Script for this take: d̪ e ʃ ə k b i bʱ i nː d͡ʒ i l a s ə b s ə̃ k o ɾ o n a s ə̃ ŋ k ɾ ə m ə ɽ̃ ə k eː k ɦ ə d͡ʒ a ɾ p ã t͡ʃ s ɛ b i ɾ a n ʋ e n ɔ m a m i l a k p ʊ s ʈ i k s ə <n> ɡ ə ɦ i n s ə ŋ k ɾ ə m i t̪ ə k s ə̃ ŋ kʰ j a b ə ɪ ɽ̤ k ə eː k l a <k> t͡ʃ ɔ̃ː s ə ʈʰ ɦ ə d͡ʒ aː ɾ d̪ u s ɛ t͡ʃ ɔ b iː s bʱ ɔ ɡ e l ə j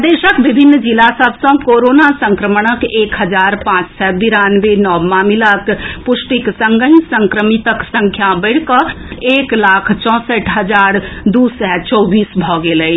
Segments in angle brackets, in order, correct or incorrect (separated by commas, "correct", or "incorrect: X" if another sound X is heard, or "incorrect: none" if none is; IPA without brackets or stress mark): incorrect: ŋ, incorrect: kʰ